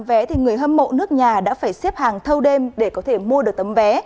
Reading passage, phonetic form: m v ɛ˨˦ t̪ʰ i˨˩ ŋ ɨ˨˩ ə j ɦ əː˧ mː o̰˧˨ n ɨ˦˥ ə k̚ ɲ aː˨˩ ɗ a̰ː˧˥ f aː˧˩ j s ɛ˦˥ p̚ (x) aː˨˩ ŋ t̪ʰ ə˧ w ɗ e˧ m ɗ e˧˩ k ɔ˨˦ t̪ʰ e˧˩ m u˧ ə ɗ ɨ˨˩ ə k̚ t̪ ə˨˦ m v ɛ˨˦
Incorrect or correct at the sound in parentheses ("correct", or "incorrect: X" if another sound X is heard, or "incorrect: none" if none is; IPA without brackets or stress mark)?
incorrect: h